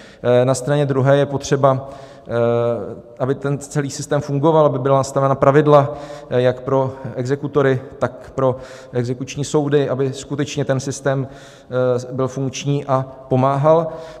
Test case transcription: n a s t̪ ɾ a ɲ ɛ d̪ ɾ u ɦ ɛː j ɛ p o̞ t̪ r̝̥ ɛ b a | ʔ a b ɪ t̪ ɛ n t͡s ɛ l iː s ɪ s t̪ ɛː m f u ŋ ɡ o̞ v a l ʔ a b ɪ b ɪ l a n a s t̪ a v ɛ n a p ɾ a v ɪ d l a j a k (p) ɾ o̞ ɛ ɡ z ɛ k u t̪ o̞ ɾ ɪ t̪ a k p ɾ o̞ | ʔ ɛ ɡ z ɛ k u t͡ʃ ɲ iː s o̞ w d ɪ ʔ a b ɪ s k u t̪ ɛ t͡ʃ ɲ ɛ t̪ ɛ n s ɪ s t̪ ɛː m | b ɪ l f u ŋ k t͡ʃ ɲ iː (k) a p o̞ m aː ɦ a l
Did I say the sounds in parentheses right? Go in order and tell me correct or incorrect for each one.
correct, incorrect: ʔ

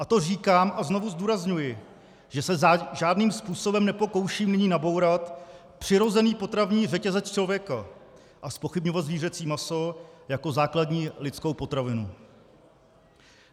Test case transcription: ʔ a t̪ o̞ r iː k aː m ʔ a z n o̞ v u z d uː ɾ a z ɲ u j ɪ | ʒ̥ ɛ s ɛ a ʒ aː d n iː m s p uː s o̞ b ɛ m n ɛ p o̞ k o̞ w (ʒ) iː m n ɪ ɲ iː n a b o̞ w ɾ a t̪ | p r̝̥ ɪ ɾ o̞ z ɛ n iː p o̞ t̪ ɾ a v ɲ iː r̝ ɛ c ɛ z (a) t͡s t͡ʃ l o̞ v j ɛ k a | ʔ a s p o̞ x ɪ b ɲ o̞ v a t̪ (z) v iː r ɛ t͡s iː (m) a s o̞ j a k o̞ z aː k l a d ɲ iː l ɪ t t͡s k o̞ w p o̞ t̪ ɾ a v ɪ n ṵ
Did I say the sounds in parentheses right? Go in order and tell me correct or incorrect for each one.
incorrect: ʃ, incorrect: ɛ, correct, correct

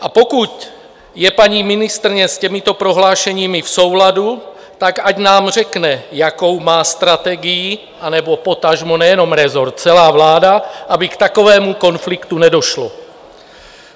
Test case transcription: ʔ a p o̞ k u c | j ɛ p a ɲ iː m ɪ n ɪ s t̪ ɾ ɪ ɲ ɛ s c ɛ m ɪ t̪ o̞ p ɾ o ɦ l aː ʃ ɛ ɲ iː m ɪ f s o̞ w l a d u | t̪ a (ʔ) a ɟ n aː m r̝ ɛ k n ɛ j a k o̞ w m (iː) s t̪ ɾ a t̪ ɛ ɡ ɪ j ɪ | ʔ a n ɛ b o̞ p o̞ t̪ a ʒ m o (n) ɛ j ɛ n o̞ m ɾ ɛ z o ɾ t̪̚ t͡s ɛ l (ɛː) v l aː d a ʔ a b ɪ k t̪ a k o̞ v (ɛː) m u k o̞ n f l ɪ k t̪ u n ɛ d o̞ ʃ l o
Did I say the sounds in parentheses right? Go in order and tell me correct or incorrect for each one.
incorrect: k, incorrect: aː, correct, incorrect: aː, correct

